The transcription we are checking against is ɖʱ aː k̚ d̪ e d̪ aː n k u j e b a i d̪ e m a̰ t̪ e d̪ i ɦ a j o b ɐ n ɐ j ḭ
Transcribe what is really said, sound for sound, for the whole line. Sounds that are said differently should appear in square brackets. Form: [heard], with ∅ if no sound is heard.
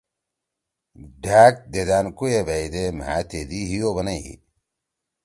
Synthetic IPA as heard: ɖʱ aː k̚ d̪ e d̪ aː n k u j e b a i d̪ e m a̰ t̪ e d̪ i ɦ [i] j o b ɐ n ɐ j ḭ